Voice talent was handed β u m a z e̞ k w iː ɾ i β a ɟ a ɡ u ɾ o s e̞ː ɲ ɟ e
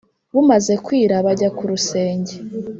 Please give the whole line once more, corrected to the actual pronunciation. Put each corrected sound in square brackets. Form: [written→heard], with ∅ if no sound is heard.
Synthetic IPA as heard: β u m a z e̞ k w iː ɾ [i→a] β a ɟ a [ɡ→k] u ɾ [o→u] s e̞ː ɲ ɟ e